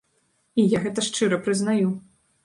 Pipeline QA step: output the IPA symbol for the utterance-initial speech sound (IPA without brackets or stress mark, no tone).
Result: i